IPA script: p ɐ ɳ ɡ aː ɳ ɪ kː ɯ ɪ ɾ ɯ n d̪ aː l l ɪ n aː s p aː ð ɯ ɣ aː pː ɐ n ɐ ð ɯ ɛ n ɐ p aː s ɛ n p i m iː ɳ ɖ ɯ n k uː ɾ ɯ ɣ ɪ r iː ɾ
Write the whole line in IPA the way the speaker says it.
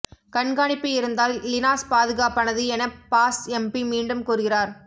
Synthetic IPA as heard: k ɐ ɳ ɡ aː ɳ ɪ pː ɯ ɪ ɾ ɯ n d̪ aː l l ɪ n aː s p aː ð ɯ ɣ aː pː ɐ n ɐ ð ɯ ɛ n ɐ p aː s ɛ m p i m iː ɳ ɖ ɯ m k uː ɾ ɯ ɣ ɪ r aː ɾ